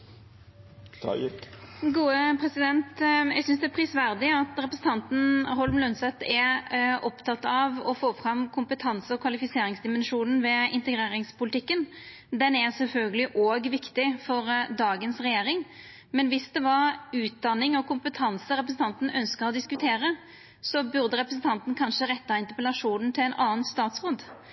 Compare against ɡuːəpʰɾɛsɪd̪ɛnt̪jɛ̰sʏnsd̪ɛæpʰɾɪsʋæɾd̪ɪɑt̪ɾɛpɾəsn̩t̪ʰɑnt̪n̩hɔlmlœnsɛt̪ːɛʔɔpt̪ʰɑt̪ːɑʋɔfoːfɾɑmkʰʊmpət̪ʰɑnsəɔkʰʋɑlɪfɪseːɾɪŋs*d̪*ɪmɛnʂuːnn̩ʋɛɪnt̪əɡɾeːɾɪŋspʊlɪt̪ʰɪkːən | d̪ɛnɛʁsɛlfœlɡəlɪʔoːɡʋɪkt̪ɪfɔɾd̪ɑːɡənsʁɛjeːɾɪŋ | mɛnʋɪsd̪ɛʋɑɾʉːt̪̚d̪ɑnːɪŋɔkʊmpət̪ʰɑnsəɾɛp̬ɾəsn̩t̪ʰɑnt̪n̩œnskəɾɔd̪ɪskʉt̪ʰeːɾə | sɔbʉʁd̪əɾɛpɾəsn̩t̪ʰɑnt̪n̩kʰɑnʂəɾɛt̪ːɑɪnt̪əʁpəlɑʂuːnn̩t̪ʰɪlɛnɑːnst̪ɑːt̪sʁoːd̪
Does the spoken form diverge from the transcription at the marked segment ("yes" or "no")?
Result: no